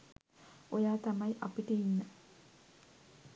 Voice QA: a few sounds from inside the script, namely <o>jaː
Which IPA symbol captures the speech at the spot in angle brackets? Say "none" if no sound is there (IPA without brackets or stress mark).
o